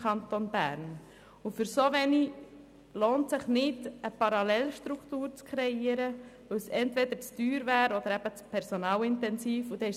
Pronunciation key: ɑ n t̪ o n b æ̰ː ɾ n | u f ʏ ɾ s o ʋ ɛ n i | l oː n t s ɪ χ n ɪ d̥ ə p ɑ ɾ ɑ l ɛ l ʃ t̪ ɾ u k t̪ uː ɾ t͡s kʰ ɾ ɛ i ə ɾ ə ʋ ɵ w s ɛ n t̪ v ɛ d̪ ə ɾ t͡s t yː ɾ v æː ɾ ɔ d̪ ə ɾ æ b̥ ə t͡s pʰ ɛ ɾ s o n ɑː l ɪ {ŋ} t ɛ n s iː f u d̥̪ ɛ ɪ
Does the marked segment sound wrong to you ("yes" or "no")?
yes